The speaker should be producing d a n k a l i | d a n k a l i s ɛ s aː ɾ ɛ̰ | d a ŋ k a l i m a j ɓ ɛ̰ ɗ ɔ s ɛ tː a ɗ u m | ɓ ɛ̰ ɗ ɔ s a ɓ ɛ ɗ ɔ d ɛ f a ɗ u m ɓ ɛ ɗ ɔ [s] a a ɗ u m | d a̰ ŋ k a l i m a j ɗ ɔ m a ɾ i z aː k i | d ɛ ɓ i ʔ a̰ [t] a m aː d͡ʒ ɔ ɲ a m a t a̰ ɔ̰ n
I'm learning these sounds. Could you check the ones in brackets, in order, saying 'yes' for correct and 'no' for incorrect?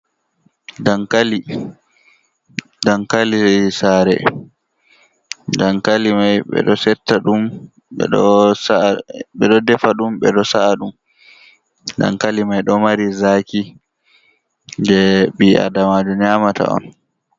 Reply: yes, no

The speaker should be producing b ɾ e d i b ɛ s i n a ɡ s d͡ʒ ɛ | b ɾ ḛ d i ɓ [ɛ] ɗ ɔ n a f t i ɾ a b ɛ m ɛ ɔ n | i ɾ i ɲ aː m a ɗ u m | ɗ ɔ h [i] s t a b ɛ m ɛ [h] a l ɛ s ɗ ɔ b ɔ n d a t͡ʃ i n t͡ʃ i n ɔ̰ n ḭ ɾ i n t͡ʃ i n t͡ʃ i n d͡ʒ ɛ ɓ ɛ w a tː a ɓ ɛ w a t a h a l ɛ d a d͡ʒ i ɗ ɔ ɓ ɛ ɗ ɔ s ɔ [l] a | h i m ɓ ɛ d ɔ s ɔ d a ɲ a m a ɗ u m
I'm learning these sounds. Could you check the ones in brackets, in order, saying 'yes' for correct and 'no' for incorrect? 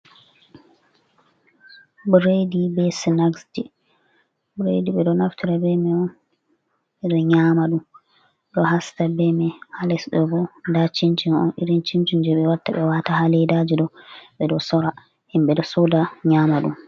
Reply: yes, no, yes, no

